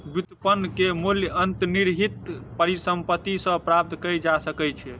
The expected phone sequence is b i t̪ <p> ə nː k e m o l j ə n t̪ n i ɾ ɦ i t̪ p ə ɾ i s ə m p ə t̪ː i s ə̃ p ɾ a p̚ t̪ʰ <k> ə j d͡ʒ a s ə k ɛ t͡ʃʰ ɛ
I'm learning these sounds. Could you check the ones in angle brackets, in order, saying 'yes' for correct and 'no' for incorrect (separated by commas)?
yes, yes